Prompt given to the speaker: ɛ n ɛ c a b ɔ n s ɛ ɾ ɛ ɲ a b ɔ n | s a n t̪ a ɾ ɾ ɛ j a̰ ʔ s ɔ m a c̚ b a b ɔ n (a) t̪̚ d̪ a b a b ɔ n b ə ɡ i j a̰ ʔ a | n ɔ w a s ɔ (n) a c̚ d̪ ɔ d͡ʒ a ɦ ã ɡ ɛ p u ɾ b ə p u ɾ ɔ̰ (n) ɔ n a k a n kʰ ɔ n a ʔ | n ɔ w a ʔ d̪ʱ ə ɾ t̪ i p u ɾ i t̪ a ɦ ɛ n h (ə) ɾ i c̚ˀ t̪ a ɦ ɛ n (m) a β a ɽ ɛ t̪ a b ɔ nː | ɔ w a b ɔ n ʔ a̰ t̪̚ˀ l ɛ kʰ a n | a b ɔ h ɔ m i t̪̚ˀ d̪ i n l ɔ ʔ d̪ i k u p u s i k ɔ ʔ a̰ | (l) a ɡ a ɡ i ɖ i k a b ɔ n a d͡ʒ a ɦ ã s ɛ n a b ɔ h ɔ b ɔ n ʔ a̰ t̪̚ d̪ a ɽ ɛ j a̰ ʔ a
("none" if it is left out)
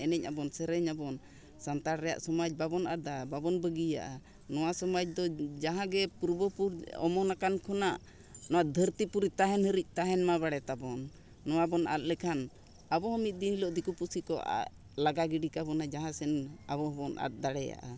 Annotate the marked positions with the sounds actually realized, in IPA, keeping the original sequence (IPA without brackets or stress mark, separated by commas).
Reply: a, m, m, ə, m, l